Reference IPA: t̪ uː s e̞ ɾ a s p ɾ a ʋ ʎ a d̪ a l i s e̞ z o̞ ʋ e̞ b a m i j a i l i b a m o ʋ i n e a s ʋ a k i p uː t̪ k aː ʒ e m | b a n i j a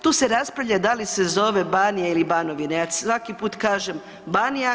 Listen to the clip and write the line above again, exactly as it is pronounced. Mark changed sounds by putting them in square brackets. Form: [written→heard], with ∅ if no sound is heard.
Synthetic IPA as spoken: t̪ uː s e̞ ɾ a s p ɾ a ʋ ʎ a d̪ a l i s e̞ z o̞ ʋ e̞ b a [m→n] i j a i l i b a [m→n] o ʋ i n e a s ʋ a k i p uː t̪ k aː ʒ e m | b a n i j a

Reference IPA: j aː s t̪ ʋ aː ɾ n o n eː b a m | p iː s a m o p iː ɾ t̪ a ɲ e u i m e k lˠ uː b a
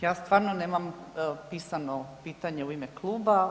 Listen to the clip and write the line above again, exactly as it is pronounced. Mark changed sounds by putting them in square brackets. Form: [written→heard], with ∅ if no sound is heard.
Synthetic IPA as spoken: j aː s t̪ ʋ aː ɾ n o n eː [b→m] a m | p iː s a [m→n] o p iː [ɾ→∅] t̪ a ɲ e u i m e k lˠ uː b a

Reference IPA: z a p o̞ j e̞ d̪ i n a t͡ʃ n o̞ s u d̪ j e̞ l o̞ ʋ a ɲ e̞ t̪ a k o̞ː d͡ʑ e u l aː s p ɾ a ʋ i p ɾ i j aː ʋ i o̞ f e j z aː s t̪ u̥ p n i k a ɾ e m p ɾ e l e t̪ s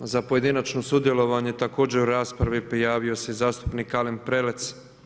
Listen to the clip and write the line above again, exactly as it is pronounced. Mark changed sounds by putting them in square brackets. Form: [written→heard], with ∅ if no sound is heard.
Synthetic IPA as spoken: z a p o̞ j e̞ d̪ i n a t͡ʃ n o̞ s u d̪ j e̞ l o̞ ʋ a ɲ e̞ t̪ a k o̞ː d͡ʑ e u [l→ɾ] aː s p ɾ a ʋ i p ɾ i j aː ʋ i o̞ [f→s] e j z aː s t̪ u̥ p n i k a [ɾ→l] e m p ɾ e l e t̪ s

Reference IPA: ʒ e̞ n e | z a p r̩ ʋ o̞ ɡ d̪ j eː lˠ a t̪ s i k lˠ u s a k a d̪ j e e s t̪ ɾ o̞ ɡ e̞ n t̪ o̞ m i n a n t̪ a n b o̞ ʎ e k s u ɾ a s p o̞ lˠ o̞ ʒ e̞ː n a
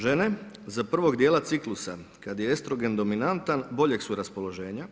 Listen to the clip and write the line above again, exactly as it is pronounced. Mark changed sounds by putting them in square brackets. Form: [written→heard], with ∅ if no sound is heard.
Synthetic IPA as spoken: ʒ e̞ n e | z a p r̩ ʋ o̞ ɡ d̪ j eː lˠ a t̪ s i k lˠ u s a k a d̪ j e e s t̪ ɾ o̞ ɡ e̞ n [t̪→d̪] o̞ m i n a n t̪ a n b o̞ ʎ e k s u ɾ a s p o̞ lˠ o̞ ʒ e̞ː [n→ɲ] a

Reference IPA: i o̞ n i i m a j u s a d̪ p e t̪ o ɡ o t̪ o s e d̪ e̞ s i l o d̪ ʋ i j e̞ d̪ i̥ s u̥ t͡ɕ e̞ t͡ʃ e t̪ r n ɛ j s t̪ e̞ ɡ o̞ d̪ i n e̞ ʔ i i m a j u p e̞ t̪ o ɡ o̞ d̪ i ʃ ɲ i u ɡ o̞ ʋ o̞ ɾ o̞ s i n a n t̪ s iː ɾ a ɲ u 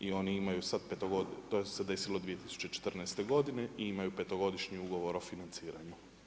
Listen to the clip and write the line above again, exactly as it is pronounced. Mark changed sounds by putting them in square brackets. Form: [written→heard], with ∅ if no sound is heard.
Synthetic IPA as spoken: i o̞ n i i m a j u s a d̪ p e t̪ o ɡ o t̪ o s e d̪ e̞ s i l o d̪ ʋ i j e̞ [d̪→t̪] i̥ s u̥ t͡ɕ e̞ t͡ʃ e t̪ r n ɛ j s t̪ e̞ ɡ o̞ d̪ i n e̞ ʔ i i m a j u p e̞ t̪ o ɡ o̞ d̪ i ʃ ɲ i u ɡ o̞ ʋ o̞ ɾ o̞ [s→f] i n a n t̪ s iː ɾ a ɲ u

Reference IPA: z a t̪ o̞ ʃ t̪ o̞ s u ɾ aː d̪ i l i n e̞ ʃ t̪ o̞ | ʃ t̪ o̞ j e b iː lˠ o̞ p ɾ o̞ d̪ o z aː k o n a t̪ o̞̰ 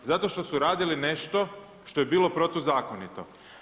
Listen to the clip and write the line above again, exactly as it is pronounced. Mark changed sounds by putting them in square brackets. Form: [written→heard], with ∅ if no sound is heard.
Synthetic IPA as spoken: z a t̪ o̞ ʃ t̪ o̞ s u ɾ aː d̪ i l i n e̞ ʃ t̪ o̞ | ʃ t̪ o̞ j e b iː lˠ o̞ p ɾ o̞ [d̪→t̪] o z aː k o n [a→i] t̪ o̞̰

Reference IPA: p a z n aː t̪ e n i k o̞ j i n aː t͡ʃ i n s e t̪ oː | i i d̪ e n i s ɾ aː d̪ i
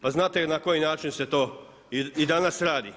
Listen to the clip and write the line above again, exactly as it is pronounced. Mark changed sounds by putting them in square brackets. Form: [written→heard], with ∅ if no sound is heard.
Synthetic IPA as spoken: p a z n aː t̪ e n [i→a] k o̞ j i n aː t͡ʃ i n s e t̪ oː | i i d̪ [e→a] n [i→a] s ɾ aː d̪ i

